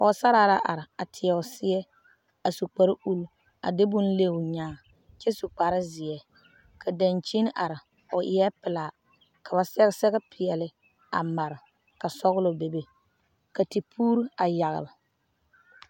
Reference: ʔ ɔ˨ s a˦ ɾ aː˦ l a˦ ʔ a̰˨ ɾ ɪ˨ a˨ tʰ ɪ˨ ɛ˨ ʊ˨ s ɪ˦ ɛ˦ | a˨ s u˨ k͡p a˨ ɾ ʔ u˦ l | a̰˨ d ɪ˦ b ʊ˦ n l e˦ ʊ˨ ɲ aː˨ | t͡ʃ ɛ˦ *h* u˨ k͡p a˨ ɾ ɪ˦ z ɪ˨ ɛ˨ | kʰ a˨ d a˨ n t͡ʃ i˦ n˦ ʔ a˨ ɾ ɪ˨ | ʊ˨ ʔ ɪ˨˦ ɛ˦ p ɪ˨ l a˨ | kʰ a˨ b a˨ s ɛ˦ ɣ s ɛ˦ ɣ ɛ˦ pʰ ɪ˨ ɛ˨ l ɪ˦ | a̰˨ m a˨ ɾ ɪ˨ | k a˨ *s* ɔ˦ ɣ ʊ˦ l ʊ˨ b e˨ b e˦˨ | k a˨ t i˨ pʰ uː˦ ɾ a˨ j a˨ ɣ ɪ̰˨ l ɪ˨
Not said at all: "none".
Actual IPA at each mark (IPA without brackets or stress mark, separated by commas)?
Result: s, s